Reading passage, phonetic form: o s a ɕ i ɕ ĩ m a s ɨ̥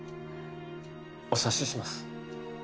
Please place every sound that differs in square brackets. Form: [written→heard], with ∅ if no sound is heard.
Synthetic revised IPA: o s a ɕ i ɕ [ĩ→i] m a s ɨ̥